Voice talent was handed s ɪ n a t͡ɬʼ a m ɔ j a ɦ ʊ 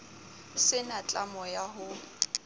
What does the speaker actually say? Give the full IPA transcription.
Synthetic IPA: s ɪ n a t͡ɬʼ a m ɔ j a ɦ ʊ

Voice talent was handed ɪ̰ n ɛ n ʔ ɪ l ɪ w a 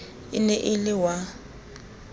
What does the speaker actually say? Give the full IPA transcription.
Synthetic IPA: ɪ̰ n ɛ ʔ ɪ l ɪ w a

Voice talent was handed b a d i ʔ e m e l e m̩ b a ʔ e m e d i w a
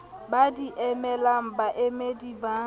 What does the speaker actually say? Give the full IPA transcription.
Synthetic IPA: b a d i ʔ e m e l a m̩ b a ʔ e m e d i b a

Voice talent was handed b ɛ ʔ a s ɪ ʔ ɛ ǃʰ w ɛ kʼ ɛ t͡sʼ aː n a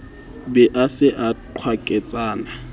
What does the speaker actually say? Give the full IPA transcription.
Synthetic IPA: b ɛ ʔ a s ɪ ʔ a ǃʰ w a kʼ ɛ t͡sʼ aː n a

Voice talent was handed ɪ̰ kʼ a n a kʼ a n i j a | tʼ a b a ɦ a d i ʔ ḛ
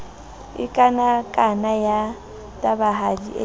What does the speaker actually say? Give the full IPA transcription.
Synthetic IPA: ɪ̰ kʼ a n a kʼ a n a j a | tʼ a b a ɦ a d i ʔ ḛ

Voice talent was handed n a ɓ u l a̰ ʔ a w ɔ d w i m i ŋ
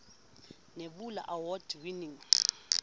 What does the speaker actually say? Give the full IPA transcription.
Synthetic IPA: n e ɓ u l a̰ ʔ a w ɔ d w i n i ŋ

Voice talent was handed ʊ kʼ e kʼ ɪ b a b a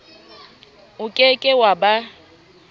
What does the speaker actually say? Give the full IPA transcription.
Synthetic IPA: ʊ kʼ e kʼ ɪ w a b a

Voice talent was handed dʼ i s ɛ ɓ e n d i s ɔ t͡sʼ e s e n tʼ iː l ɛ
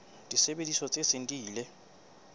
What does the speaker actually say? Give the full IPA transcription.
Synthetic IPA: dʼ i s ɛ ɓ e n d i s ɔ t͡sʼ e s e n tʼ iː l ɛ

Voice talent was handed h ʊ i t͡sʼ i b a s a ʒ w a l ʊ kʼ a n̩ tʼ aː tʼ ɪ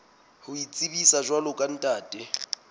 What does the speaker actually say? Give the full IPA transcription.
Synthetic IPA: h ʊ i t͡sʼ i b i s a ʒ w a l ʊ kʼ a n̩ tʼ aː tʼ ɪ

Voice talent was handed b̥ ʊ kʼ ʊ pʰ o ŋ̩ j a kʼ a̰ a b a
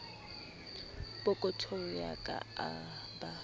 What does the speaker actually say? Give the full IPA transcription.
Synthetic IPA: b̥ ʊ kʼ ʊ tʰ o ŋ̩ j a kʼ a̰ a b a

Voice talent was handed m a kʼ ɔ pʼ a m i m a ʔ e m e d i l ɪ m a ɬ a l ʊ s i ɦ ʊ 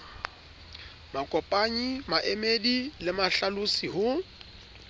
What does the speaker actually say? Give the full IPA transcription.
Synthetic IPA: m a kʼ ɔ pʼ a ɲ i m a ʔ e m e d i l ɪ m a ɬ a l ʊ s i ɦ ʊ

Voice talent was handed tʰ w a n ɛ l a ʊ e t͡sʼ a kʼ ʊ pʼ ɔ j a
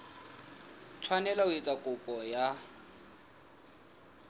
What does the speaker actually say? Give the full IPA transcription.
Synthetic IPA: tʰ w a n ɛ l a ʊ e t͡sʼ a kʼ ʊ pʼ ɔ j a

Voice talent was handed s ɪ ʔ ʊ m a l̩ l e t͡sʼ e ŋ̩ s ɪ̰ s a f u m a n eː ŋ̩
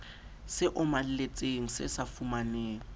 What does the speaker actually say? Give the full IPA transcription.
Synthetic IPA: s ɪ ʔ ʊ m a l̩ l e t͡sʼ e ŋ̩ s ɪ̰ s a f u m a n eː ŋ̩

